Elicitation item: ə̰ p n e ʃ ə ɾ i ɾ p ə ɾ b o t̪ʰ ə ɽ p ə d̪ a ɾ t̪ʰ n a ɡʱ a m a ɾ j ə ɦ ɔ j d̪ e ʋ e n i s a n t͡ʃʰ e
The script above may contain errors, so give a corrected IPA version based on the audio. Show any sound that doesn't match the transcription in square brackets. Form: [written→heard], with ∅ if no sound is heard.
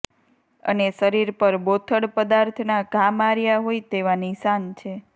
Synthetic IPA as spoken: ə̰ [p→∅] n e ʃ ə ɾ i ɾ p ə ɾ b o t̪ʰ ə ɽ p ə d̪ a ɾ t̪ʰ n a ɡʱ a m a ɾ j [ə→a] ɦ [ɔ→o] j [d̪→t̪] e ʋ [e→a] n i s a n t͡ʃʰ e